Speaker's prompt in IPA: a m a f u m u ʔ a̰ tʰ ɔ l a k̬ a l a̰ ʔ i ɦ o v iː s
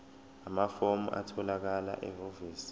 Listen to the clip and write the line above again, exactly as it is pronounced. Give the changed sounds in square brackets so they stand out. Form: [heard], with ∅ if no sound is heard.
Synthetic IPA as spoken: a m a f [o] m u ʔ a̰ tʰ ɔ l a k̬ a l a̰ ʔ [ɛ] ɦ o v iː s